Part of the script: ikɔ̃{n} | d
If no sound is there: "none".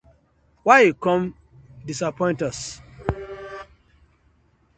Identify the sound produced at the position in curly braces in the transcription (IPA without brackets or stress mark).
m